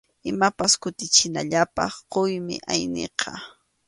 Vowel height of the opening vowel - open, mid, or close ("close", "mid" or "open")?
close